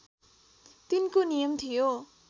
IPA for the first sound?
t̪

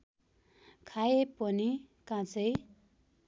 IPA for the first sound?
kʰ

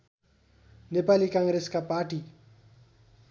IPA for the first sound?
n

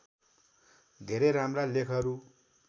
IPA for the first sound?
d̪ʱ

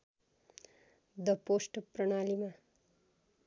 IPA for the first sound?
d̪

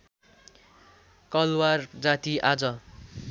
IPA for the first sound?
k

